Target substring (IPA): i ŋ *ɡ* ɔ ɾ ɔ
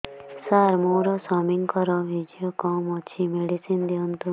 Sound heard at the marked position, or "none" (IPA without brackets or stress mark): k